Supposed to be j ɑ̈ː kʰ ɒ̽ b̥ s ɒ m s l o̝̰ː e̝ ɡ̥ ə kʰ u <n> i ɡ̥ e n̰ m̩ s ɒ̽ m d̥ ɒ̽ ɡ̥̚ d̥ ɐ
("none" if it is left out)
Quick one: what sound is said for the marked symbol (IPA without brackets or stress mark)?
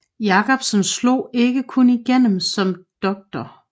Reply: n